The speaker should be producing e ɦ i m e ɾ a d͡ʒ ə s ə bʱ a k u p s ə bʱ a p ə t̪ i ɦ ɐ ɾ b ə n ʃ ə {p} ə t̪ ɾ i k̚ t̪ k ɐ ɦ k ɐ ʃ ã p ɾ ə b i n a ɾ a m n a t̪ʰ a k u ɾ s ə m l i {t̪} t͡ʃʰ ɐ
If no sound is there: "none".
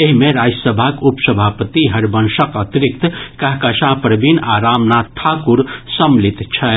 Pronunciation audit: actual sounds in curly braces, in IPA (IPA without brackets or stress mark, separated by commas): k, t̪